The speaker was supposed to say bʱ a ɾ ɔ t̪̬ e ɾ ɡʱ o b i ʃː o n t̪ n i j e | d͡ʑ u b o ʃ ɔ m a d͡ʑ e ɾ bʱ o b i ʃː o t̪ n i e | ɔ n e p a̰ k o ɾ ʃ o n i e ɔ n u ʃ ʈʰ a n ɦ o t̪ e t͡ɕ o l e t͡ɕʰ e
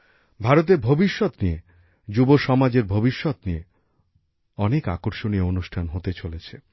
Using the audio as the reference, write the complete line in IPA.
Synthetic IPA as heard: bʱ a ɾ o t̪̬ e ɾ bʱ o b i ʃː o t̪ n i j e | d͡ʑ u b o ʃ ɔ m a d͡ʑ e ɾ bʱ o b i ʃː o t̪ n i e | ɔ n e k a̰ k o ɾ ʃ o n i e o n u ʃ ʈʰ a n ɦ o t̪ e t͡ɕ o l e t͡ɕʰ e